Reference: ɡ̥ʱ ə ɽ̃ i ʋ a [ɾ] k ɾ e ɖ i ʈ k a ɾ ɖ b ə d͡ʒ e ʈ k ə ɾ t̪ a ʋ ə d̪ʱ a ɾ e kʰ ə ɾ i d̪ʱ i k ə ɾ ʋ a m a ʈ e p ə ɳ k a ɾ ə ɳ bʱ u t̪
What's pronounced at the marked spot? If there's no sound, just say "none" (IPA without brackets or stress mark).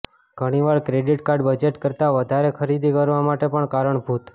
ɭ